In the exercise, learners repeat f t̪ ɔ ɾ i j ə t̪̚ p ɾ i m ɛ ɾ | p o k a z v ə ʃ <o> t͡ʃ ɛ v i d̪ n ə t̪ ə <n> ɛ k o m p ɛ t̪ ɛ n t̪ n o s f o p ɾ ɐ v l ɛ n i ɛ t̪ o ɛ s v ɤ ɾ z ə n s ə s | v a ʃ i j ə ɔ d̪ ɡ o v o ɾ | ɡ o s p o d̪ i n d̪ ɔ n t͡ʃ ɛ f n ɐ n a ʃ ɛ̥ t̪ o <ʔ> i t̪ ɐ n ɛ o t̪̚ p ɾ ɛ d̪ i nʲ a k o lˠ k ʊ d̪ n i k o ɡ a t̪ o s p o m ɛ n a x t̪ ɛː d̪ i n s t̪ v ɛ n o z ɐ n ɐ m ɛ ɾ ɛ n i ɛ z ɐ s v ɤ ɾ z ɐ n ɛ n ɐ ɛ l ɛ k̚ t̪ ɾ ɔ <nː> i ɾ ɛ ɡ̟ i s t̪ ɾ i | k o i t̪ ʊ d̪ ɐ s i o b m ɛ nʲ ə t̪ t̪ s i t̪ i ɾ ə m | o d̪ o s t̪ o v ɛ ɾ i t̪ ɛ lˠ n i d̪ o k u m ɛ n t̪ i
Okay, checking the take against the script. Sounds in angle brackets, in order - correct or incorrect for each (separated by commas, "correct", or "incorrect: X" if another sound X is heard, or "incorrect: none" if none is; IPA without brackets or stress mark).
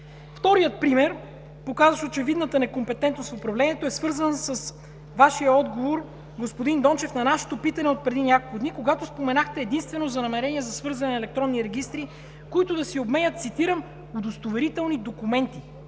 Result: correct, correct, incorrect: p, correct